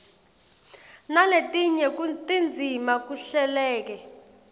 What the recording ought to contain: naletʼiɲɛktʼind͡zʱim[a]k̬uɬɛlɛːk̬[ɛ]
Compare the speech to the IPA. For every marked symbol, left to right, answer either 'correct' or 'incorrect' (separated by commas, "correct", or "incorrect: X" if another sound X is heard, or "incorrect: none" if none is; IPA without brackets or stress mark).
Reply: correct, correct